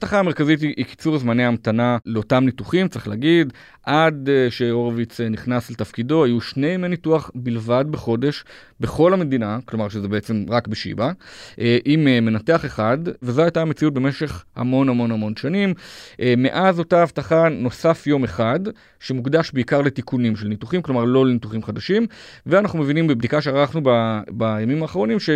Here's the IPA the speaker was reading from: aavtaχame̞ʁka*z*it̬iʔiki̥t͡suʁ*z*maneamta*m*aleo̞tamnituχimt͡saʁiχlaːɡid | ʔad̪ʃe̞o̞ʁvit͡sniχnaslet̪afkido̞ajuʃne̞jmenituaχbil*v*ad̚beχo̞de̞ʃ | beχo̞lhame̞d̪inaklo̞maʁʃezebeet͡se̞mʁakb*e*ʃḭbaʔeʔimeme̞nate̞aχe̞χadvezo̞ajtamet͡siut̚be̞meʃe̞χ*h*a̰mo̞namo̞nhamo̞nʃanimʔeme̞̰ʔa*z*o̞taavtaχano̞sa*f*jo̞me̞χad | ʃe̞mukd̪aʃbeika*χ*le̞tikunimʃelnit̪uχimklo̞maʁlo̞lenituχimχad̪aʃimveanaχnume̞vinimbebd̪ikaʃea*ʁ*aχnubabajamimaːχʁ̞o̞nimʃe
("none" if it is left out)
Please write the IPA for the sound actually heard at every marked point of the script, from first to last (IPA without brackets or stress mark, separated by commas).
z, z, n, v, e, h, z, f, ʁ, ʁ